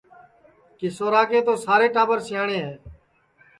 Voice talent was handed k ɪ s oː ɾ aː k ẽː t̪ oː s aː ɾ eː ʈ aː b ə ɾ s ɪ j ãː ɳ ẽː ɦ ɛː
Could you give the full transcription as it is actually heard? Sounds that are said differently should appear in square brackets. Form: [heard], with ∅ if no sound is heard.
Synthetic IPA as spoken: k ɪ s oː ɾ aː k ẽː t̪ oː s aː ɾ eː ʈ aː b ə ɾ s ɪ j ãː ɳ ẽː ɦ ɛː